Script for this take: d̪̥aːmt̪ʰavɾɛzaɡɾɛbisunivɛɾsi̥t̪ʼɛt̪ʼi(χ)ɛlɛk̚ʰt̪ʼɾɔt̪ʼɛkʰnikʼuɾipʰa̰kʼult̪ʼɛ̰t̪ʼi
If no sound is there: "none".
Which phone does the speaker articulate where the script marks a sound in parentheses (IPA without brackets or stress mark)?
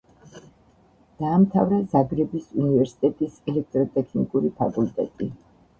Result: s